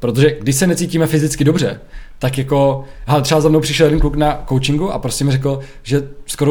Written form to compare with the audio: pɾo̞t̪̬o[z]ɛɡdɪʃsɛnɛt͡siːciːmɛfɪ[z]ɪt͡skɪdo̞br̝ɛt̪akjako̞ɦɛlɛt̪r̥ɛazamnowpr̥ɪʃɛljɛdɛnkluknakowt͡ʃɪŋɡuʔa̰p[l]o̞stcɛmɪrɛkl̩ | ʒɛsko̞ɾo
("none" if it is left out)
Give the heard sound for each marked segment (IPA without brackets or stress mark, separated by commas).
ʒ, z, ɾ